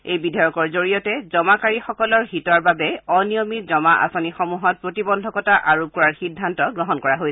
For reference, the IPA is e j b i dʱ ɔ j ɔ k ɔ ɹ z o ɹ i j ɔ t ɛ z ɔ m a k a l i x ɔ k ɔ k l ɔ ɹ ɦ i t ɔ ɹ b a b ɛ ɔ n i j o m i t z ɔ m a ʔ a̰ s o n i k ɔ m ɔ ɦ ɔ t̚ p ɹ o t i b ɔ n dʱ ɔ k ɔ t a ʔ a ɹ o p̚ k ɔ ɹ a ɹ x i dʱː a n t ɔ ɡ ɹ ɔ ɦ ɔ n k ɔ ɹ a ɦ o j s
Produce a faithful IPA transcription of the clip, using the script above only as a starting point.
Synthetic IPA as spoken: e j b i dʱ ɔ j ɔ k ɔ ɹ z o ɹ i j ɔ t ɛ z ɔ m a k a ɹ i x ɔ k ɔ l ɔ ɹ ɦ i t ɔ ɹ b a b ɛ ɔ n i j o m i t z ɔ m a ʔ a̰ s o n i x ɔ m u ɦ ɔ t̚ p ɹ o t i b ɔ n dʱ ɔ k ɔ t a ʔ a ɹ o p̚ k ɔ ɹ a ɹ x i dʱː a n t ɔ ɡ ɹ ɔ ɦ ɔ n k ɔ ɹ a ɦ o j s